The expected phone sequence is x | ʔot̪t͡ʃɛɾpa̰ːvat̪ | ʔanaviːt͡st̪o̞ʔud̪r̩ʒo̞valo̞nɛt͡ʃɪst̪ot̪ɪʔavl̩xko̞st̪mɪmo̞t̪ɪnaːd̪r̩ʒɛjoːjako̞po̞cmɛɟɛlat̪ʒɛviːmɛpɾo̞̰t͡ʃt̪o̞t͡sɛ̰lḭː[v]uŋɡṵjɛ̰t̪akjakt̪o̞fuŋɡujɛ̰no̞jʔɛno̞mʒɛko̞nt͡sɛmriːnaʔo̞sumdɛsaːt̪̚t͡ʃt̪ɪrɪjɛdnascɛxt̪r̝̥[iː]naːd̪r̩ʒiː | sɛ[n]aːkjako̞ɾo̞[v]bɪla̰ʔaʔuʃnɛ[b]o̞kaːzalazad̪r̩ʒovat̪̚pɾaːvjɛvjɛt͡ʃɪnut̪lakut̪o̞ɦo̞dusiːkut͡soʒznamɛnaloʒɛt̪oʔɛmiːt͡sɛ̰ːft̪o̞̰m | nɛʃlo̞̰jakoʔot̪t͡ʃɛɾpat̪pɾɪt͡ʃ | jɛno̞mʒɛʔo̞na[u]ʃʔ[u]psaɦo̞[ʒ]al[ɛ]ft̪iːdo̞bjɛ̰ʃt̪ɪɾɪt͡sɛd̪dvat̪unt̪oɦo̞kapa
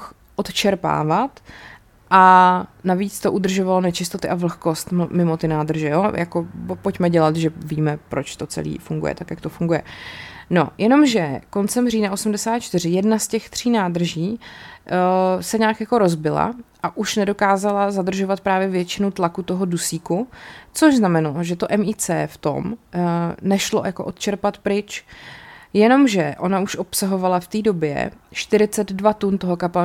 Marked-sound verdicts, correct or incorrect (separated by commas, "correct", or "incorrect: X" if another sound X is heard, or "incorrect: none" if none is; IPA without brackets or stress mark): incorrect: f, correct, incorrect: ɲ, incorrect: z, incorrect: d, correct, incorrect: o, incorrect: v, incorrect: a